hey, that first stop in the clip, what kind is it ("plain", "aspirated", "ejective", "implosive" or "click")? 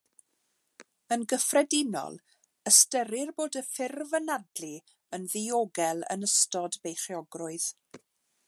plain